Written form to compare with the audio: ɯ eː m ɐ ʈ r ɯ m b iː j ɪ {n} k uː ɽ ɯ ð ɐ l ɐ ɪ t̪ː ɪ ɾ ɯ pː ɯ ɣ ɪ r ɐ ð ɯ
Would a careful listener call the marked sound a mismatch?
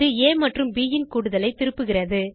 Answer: no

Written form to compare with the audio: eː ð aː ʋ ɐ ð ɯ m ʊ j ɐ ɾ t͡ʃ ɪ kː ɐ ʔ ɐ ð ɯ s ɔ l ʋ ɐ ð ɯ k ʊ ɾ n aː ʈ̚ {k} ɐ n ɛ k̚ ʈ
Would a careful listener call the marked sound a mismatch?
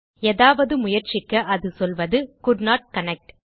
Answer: no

